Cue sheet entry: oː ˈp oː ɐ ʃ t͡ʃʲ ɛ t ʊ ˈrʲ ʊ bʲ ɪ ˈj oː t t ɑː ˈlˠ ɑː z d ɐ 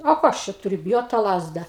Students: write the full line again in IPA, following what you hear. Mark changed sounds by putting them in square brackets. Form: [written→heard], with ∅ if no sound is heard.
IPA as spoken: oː [ˈp→ˈk] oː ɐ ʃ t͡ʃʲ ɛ t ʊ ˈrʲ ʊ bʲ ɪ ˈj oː t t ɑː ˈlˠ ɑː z d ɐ